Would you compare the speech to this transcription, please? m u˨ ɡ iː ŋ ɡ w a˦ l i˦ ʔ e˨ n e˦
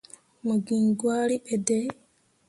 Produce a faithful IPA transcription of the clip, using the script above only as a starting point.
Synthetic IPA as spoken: m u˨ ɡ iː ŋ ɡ w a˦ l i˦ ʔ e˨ d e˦